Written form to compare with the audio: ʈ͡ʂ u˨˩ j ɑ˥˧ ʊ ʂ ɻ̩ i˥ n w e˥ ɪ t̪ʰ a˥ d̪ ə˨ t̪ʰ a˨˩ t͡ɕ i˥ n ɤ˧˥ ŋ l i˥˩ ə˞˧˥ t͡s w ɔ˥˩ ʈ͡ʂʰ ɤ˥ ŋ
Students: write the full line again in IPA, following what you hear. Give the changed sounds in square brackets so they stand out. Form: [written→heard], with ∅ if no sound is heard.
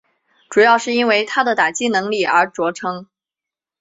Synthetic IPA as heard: ʈ͡ʂ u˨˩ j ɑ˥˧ ʊ ʂ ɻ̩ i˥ n w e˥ ɪ t̪ʰ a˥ d̪ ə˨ [t̪ʰ→t̪] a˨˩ t͡ɕ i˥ n ɤ˧˥ ŋ l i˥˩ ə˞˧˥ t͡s w [ɔ˥˩→ɔ˧˥] ʈ͡ʂʰ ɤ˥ ŋ